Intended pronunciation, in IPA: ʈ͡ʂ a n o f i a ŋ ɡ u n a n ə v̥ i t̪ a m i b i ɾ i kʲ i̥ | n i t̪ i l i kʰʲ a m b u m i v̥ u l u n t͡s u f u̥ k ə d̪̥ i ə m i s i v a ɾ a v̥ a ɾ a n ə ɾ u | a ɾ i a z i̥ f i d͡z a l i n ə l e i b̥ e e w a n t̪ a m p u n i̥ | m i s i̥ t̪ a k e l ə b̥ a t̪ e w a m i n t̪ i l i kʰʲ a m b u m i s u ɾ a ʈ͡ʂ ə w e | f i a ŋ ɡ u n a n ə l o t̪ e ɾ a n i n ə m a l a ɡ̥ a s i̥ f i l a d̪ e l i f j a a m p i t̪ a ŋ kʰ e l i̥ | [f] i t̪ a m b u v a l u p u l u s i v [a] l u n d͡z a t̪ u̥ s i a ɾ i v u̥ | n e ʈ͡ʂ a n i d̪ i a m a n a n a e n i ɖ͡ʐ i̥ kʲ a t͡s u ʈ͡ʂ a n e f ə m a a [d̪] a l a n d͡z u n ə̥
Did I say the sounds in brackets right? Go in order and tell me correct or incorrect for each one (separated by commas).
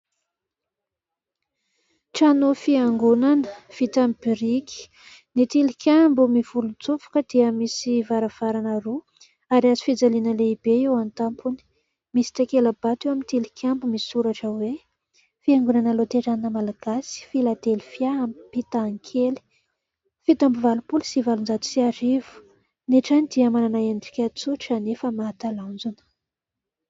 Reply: correct, correct, incorrect